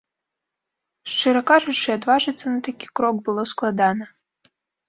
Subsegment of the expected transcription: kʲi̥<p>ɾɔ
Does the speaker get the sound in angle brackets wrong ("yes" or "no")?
yes